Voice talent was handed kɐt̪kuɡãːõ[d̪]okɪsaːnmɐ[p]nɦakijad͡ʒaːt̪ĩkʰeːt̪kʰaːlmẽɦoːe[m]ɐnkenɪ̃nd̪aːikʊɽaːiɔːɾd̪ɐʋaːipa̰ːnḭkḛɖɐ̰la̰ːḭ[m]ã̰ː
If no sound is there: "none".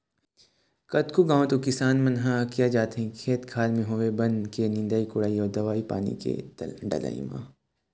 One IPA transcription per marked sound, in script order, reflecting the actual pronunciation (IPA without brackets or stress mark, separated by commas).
t̪, none, b, m